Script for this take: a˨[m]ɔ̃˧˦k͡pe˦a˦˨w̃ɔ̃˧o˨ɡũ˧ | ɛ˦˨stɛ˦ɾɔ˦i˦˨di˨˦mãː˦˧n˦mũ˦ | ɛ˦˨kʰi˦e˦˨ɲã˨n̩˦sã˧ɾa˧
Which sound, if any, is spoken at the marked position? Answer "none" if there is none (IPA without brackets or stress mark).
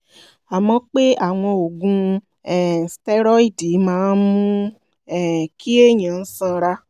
m